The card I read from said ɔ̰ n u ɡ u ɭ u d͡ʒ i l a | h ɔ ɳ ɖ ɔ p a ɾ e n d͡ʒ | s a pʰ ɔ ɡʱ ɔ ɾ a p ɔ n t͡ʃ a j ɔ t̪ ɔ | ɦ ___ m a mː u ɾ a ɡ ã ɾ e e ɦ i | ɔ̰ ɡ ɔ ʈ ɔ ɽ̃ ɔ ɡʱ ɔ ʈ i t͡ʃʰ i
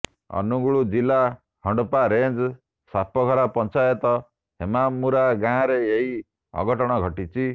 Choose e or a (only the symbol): e